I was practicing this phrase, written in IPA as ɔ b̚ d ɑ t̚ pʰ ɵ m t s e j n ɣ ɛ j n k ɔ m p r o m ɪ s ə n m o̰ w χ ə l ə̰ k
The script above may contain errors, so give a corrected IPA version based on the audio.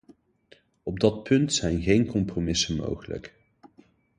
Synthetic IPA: ɔ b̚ d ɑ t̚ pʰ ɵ n t s ɛ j n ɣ e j n k ɔ m p r o m ɪ s ə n m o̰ w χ ə l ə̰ k